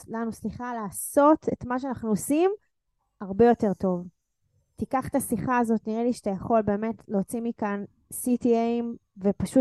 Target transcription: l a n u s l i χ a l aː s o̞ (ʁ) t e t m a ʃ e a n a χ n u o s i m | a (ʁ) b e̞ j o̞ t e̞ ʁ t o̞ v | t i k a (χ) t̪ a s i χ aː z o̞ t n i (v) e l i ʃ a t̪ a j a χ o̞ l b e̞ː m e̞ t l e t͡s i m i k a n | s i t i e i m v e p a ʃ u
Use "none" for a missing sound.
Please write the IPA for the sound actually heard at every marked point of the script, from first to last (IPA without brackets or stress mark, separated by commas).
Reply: none, ʁ, χ, ʁ